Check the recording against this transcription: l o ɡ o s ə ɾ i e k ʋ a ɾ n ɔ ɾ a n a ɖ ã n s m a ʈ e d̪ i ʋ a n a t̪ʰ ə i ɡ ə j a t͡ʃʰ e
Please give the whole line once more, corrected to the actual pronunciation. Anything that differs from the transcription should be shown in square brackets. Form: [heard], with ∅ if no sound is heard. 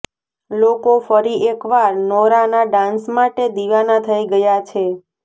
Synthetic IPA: l o [k] o [f] ə ɾ i e k ʋ a ɾ n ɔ ɾ a n a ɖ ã n s m a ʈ e d̪ i ʋ a n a t̪ʰ ə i ɡ ə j a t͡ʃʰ e